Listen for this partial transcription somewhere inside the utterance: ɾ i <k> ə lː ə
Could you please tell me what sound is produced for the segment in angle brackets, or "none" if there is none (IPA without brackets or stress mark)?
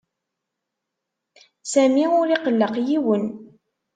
q